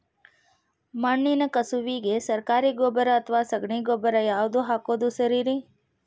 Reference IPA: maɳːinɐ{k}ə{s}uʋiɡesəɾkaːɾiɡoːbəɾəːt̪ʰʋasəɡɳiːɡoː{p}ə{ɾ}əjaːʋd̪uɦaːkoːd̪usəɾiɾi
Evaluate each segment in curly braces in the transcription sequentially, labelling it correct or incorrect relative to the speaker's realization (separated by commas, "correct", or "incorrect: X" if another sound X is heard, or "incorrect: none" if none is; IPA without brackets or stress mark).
correct, correct, incorrect: b, correct